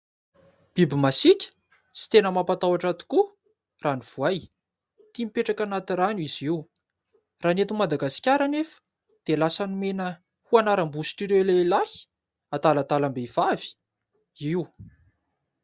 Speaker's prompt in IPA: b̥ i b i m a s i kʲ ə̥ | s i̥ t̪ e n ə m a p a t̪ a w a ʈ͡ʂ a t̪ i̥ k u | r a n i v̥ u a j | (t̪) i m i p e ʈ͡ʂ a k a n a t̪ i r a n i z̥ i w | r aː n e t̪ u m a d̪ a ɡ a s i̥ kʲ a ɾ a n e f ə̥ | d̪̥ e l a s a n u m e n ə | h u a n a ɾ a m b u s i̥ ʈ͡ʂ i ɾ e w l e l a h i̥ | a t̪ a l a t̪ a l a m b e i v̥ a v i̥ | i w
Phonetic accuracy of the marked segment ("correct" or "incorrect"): correct